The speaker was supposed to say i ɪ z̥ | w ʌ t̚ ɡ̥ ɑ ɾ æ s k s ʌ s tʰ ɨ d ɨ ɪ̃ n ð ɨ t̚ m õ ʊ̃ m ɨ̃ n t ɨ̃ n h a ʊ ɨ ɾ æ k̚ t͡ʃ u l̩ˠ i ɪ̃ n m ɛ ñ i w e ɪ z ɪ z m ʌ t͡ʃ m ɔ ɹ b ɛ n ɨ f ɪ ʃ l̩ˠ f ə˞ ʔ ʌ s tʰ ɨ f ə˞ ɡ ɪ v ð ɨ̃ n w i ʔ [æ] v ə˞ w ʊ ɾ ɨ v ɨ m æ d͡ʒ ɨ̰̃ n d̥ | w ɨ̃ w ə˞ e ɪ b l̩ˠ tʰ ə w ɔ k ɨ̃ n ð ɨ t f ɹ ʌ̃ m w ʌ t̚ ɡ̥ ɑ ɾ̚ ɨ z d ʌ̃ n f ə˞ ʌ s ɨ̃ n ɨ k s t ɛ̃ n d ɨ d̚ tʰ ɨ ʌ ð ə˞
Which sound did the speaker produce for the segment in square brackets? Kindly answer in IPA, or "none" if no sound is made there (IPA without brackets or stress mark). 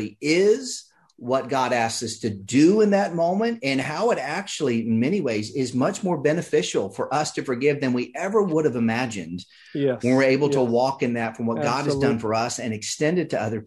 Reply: ɛ